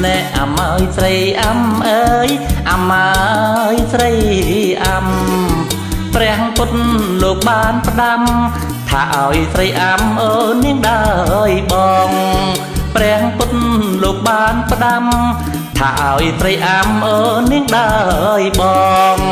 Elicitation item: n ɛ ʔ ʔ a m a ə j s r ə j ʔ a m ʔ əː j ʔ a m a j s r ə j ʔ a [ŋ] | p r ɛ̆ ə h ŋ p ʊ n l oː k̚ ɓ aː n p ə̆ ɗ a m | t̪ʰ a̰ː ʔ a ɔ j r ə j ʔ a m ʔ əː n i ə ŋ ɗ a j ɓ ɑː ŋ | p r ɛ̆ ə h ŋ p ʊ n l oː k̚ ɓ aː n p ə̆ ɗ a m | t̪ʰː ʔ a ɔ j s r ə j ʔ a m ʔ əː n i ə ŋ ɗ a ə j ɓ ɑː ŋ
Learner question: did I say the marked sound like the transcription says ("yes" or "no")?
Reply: no